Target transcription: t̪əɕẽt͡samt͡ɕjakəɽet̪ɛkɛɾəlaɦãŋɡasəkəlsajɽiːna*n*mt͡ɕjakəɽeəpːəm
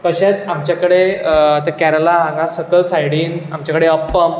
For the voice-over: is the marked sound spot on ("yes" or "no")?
no